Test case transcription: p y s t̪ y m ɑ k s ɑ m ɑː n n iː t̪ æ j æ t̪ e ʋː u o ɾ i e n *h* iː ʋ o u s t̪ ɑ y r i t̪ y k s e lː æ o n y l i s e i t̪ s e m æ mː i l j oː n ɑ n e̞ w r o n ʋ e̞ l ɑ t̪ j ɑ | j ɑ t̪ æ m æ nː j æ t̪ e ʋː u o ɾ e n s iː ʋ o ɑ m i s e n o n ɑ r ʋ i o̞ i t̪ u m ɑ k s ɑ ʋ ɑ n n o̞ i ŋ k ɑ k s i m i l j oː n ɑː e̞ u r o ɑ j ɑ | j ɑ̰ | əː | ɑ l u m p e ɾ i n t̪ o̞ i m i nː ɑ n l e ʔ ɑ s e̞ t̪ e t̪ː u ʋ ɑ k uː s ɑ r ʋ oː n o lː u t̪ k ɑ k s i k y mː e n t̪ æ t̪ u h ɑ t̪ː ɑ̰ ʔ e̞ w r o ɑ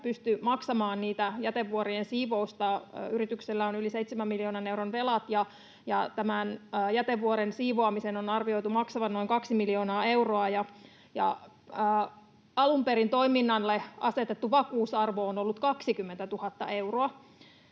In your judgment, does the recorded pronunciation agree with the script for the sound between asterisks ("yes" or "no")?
no